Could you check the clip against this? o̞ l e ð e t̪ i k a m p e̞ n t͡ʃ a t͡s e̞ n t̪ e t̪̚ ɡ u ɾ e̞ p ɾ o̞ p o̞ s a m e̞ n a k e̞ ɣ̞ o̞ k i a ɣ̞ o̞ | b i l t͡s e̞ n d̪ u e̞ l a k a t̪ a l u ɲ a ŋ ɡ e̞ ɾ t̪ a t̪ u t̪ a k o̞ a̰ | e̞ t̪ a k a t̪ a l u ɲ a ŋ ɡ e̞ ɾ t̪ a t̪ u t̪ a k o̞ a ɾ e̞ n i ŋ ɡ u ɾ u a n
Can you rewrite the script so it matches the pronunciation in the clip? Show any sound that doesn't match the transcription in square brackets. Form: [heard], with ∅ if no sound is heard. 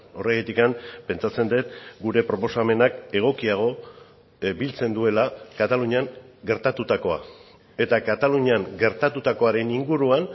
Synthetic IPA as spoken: o̞ [r] e [ɣ] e t̪ i k a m p e̞ n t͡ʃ a t͡s e̞ n [d̪] e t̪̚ ɡ u ɾ e̞ p ɾ o̞ p o̞ s a m e̞ n a k e̞ ɣ̞ o̞ k i a ɣ̞ o̞ | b i l t͡s e̞ n d̪ u e̞ l a k a t̪ a l u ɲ a ŋ ɡ e̞ ɾ t̪ a t̪ u t̪ a k o̞ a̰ | e̞ t̪ a k a t̪ a l u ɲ a ŋ ɡ e̞ ɾ t̪ a t̪ u t̪ a k o̞ a ɾ e̞ n i ŋ ɡ u ɾ u a n

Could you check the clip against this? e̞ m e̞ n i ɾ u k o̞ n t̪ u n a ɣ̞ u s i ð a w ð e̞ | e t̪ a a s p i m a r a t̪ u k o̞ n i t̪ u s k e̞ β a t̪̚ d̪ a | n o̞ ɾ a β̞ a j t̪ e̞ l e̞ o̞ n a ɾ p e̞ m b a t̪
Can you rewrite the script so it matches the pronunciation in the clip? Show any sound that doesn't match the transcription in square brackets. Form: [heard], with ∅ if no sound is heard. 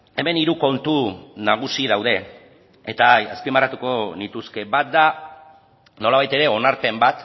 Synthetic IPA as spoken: e̞ m e̞ n i ɾ u k o̞ n t̪ u n a ɣ̞ u s i ð a w ð e̞ | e t̪ a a s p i m a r a t̪ u k o̞ n i t̪ u s k e̞ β a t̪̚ d̪ a | n o̞ [l] a β̞ a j t̪ e̞ [ɾ] e̞ o̞ n a ɾ p e̞ m b a t̪

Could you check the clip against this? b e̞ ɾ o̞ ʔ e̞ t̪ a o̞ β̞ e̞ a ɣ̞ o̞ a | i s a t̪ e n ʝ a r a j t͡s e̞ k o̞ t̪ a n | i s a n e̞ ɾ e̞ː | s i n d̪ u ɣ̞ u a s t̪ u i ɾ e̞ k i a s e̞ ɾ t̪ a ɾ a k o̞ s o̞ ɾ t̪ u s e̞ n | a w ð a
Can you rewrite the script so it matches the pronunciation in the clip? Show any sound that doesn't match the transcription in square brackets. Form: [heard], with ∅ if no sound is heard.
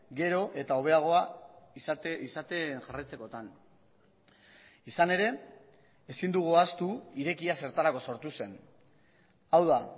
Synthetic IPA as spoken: [ɡ] e̞ ɾ o̞ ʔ e̞ t̪ a o̞ β̞ e̞ a ɣ̞ o̞ a | i s a t̪ e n ʝ a r a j t͡s e̞ k o̞ t̪ a n | i s a n e̞ ɾ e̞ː | s i n d̪ u ɣ̞ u a s t̪ u i ɾ e̞ k i a s e̞ ɾ t̪ a ɾ a k o̞ s o̞ ɾ t̪ u s e̞ n | a w ð a

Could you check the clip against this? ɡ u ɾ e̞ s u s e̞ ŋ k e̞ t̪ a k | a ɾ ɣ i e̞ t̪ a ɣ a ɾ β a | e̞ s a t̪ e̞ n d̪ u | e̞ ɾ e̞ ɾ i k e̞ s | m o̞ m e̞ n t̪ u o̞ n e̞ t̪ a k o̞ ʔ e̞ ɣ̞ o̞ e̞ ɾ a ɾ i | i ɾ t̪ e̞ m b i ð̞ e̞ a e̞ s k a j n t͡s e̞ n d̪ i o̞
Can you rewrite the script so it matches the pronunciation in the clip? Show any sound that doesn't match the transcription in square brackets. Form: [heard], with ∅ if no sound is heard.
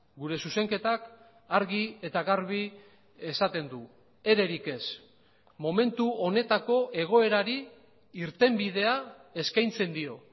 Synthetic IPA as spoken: ɡ u ɾ e̞ s u s e̞ ŋ k e̞ t̪ a k | a ɾ ɣ i e̞ t̪ a ɣ a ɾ β [i] | e̞ s a t̪ e̞ n d̪ u | e̞ ɾ e̞ ɾ i k e̞ s | m o̞ m e̞ n t̪ u o̞ n e̞ t̪ a k o̞ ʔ e̞ ɣ̞ o̞ e̞ ɾ a ɾ i | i ɾ t̪ e̞ m b i ð̞ e̞ a e̞ s k a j n t͡s e̞ n d̪ i o̞

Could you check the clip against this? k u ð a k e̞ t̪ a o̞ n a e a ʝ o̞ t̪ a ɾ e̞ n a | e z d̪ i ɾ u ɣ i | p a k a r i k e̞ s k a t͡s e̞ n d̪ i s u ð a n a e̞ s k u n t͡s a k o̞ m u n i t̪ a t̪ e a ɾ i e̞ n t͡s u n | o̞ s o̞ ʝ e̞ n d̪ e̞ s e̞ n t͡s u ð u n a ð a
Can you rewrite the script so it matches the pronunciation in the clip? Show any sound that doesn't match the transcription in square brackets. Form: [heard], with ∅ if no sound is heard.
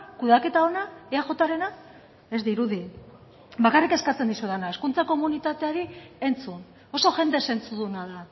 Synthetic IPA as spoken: k u ð a k e̞ t̪ a o̞ n a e a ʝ o̞ t̪ a ɾ e̞ n a | e z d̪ i ɾ u [ð] i | [b] a k a r i k e̞ s k a t͡s e̞ n d̪ i s u ð a n a e̞ s k u n t͡s a k o̞ m u n i t̪ a t̪ e a ɾ i e̞ n t͡s u n | o̞ s o̞ ʝ e̞ n d̪ e̞ s e̞ n t͡s u ð u n a ð a

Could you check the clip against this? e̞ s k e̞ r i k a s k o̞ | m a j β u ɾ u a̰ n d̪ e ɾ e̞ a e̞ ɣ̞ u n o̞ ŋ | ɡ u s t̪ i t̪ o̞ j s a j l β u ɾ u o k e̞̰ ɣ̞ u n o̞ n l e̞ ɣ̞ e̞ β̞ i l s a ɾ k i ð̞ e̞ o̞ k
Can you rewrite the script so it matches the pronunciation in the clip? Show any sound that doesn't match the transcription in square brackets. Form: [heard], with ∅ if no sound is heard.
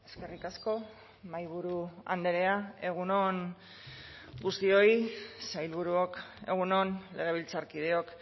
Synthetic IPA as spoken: e̞ s k e̞ r i k a s k o̞ | m a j β u ɾ u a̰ n d̪ e ɾ e̞ a e̞ ɣ̞ u n o̞ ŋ | ɡ u s t̪ i [∅] o̞ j s a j l β u ɾ u o k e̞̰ ɣ̞ u n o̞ n l e̞ ɣ̞ e̞ β̞ i l [t͡s] a ɾ k i ð̞ e̞ o̞ k

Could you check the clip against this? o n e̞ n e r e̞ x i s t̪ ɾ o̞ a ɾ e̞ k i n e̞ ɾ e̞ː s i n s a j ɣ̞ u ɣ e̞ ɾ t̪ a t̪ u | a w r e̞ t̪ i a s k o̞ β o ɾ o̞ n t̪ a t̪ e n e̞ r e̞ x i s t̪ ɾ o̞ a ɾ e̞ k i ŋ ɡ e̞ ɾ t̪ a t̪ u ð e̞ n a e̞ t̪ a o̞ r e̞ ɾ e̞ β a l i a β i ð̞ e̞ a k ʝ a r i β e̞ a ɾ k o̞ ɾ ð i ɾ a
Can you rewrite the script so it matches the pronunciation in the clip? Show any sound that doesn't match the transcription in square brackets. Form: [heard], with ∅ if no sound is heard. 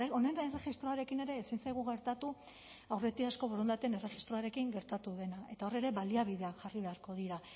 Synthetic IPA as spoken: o n e̞ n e r e̞ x i s t̪ ɾ o̞ a ɾ e̞ k i n e̞ ɾ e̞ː s i n s a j ɣ̞ u ɣ e̞ ɾ t̪ a t̪ u | a w r e̞ t̪ i a s k o̞ β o ɾ o̞ n [d̪] a t̪ e n e̞ r e̞ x i s t̪ ɾ o̞ a ɾ e̞ k i ŋ ɡ e̞ ɾ t̪ a t̪ u ð e̞ n a e̞ t̪ a o̞ r e̞ ɾ e̞ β a l i a β i ð̞ e̞ a k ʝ a r i β e̞ a ɾ k o̞ [∅] ð i ɾ a

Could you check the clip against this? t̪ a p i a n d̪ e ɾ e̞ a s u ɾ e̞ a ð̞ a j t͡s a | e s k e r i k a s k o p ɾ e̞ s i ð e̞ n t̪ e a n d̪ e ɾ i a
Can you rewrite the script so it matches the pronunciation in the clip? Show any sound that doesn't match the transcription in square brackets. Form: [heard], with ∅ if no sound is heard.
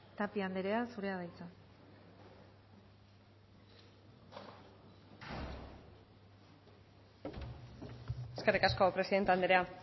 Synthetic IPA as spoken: t̪ a p i a n d̪ e ɾ e̞ a s u ɾ e̞ a ð̞ a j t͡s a | e s k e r i k a s k o p ɾ e̞ s i ð e̞ n t̪ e a n d̪ e ɾ [e] a

